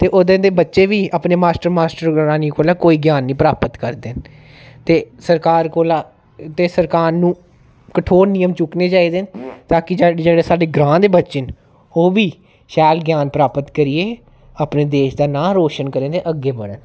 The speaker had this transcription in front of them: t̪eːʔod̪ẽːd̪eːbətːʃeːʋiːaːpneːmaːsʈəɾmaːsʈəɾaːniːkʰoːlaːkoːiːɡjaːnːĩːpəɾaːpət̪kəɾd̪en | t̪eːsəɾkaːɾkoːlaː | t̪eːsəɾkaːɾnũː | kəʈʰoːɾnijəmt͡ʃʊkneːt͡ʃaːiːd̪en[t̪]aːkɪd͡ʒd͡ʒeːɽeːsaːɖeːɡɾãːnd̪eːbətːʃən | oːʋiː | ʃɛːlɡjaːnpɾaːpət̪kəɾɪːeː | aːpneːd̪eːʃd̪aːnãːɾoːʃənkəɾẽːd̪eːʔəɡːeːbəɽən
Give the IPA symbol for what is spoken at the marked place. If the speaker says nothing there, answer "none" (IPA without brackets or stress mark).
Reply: t̪